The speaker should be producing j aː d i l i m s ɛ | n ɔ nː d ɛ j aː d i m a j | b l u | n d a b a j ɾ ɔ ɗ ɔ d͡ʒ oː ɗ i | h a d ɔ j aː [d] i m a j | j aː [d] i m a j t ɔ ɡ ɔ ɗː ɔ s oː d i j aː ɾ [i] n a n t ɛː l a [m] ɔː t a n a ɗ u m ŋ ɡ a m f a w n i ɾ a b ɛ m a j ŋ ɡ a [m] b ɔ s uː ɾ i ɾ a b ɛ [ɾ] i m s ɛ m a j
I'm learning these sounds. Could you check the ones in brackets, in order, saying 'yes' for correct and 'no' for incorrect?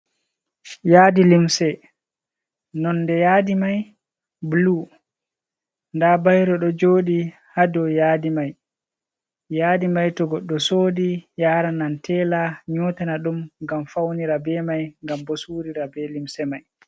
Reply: yes, yes, no, no, yes, no

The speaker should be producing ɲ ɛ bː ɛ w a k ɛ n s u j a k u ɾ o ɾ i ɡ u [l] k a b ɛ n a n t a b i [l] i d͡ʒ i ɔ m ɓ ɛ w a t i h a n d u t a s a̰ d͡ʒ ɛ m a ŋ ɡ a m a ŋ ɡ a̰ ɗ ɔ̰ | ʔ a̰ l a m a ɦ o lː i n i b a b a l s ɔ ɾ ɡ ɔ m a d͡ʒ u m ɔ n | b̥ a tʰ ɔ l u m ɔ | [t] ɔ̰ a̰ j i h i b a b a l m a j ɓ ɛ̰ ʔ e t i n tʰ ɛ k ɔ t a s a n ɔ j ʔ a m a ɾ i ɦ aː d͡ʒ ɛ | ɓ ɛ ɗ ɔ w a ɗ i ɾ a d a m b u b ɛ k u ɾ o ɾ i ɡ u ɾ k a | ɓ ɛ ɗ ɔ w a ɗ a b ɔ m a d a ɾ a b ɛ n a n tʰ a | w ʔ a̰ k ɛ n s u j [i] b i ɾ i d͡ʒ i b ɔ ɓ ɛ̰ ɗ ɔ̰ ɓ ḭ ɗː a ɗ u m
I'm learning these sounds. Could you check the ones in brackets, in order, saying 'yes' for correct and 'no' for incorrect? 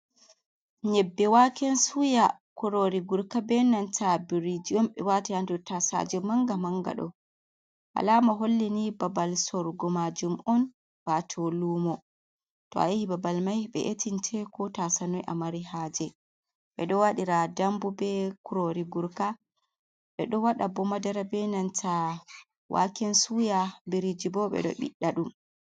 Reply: no, no, yes, no

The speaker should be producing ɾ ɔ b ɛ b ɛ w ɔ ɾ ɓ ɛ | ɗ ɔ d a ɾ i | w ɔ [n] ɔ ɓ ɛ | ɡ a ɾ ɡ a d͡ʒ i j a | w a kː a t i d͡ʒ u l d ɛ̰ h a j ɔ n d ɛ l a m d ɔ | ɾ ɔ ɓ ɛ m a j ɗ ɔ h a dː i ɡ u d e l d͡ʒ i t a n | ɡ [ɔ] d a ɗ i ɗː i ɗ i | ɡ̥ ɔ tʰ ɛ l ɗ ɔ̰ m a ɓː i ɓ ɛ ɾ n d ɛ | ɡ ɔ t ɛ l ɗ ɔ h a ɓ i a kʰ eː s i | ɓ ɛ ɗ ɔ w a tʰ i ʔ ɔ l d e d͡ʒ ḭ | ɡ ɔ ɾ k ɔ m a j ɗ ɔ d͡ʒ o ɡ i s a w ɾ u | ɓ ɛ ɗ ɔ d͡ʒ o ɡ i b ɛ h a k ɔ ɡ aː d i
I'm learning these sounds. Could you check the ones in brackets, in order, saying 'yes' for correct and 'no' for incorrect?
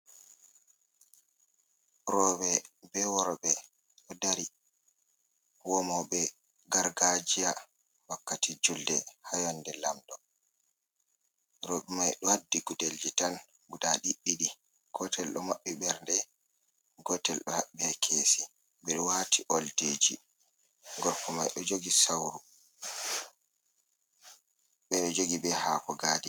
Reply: no, no

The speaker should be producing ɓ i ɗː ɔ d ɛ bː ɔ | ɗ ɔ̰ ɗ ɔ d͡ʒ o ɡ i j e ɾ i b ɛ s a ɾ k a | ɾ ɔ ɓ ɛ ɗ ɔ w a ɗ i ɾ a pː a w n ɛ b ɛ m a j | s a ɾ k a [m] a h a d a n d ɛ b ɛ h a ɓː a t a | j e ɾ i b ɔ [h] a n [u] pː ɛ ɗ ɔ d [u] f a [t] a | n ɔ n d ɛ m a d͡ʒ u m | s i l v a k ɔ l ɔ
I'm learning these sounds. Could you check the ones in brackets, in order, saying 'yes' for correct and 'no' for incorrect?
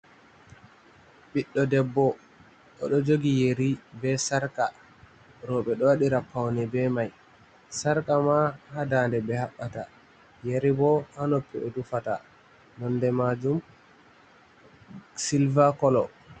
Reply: yes, yes, no, yes, yes

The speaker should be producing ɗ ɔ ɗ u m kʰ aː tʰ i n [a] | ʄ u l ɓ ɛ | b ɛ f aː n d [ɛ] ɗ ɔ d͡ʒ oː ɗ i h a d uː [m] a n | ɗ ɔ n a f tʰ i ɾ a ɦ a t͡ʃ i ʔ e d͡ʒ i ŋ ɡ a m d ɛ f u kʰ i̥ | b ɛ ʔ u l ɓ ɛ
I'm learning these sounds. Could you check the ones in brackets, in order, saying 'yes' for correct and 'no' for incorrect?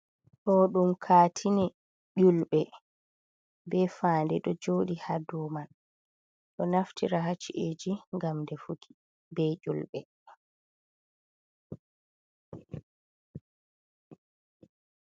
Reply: no, yes, yes

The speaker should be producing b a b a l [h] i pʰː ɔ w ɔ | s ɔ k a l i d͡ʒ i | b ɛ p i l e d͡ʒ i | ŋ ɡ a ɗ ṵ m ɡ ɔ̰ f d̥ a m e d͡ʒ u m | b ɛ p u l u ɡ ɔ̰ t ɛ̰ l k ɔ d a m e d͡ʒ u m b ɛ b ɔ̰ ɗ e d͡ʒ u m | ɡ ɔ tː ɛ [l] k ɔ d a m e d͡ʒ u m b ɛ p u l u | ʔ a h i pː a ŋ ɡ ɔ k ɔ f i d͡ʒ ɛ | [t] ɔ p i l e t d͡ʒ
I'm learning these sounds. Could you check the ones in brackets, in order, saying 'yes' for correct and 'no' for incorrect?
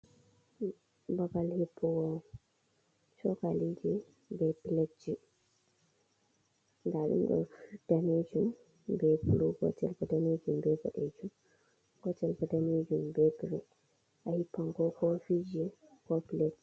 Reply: yes, yes, no

